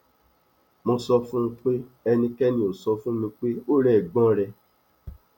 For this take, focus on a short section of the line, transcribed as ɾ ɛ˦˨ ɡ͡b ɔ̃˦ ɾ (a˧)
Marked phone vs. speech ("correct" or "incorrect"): incorrect